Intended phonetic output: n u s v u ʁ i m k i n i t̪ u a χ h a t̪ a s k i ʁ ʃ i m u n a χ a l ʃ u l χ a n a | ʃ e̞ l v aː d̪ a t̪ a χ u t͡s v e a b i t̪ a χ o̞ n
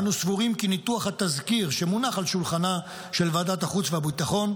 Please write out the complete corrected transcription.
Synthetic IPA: n u s v u ʁ i m k i n i t̪ u a χ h a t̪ a z k i ʁ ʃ e m u n a χ a l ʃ u l χ a n a | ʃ e̞ l v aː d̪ a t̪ a χ u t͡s v e a b i t̪ a χ o̞ n

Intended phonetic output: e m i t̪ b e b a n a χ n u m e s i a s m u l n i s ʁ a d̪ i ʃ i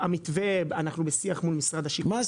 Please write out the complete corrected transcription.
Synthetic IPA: a m i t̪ v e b a n a χ n u b e s i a χ m u l m i s ʁ a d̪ a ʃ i

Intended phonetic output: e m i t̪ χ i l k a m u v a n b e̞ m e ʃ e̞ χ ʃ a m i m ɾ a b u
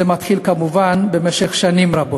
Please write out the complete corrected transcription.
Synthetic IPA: e m a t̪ χ i l k a m u v a n b e̞ m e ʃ e̞ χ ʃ a n i m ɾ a b o

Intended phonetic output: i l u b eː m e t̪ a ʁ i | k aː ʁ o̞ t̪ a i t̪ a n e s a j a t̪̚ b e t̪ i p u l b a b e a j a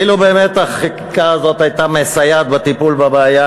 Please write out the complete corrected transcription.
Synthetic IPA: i l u b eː m e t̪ a χ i | k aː z o̞ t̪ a j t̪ a m e s a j a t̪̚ b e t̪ i p u l b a b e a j a

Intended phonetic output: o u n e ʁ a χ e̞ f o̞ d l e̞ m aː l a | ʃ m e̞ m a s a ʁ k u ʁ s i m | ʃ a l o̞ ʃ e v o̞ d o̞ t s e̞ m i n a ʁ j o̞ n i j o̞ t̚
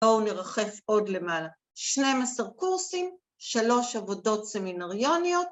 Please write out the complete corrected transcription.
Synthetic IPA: o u n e ʁ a χ e̞ f o̞ d l e̞ m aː l a | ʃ n e̞ m a s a ʁ k u ʁ s i m | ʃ a l o̞ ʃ a v o̞ d o̞ t s e̞ m i n a ʁ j o̞ n i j o̞ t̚

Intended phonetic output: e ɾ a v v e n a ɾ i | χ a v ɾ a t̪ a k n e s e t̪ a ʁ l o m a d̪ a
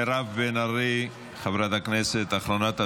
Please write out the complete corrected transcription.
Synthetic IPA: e ɾ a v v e n a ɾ i | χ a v ɾ a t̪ a k n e s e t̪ a χ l o n a t̪ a

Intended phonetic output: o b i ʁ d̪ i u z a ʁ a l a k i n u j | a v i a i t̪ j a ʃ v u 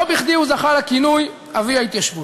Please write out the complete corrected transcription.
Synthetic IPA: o b i χ d̪ i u z a χ a l a k i n u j | a v i a i t̪ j a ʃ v u

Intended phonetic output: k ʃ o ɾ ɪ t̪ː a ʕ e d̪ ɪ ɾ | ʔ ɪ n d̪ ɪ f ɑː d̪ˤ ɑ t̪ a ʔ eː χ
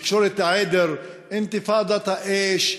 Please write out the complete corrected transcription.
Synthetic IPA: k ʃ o ɾ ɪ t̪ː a ʕ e d̪ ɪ ɾ | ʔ ɪ n t̪ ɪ f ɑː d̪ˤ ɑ t̪ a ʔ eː ʃ

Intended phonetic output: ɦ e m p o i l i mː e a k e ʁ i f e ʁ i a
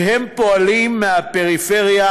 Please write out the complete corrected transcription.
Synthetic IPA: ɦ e m p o a l i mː e a p e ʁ i f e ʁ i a

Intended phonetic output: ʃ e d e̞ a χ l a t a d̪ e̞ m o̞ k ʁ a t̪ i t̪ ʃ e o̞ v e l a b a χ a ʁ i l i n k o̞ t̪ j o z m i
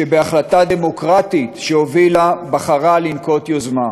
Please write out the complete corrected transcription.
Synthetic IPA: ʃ e b e̞ a χ l a t a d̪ e̞ m o̞ k ʁ a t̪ i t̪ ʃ e o̞ v i l a b a χ a ʁ a l i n k o̞ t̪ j o z m a

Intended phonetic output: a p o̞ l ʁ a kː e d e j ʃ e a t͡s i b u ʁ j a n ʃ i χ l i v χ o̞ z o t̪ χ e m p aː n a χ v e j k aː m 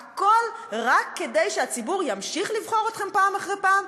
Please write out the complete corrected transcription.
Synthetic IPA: a k o̞ l ʁ a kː e d e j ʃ e a t͡s i b u ʁ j a m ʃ i χ l i v χ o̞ ʁ o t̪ χ e m p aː m a χ ʁ e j p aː m

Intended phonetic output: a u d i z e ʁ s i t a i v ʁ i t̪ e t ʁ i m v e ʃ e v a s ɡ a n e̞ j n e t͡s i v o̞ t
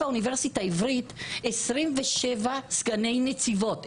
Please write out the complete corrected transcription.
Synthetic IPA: a u n i v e ʁ s i t a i v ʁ i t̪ e s ʁ i m v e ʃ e v a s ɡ a n e̞ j n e t͡s i v o̞ t

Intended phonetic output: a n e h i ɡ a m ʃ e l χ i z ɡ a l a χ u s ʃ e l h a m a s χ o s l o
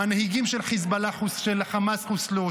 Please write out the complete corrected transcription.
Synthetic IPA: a n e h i ɡ i m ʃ e l χ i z b a l a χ u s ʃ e l χ a m a s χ u s l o

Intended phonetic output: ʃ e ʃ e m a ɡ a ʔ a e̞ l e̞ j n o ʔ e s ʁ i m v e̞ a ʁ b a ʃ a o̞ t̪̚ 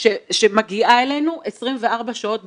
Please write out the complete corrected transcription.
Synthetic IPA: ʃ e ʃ e m a ɡ i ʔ a e̞ l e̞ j n u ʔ e s ʁ i m v e̞ a ʁ b a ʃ a o̞ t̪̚

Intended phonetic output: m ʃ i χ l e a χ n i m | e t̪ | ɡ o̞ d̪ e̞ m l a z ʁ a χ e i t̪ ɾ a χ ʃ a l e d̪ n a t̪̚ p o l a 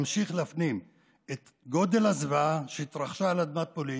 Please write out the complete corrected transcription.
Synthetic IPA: m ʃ i χ l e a f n i m | e t̪ | ɡ o̞ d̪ e̞ l a z v a ʃ e i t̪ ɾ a χ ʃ a l a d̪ m a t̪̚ p o l i

